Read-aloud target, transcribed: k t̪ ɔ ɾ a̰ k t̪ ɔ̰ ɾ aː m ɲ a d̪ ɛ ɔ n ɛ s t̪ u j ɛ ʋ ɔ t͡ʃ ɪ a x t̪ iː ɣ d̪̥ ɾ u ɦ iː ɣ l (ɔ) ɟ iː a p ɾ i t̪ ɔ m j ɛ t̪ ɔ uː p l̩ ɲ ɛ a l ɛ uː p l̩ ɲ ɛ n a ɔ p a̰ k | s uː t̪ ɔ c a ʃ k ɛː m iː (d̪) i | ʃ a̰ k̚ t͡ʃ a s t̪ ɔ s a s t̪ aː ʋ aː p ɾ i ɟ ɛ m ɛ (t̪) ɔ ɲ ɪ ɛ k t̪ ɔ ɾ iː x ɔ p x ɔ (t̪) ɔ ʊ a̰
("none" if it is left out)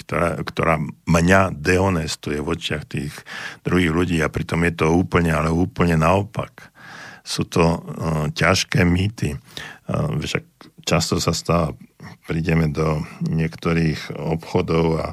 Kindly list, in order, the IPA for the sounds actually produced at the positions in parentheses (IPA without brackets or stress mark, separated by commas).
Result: u, t̪, d̪, d̪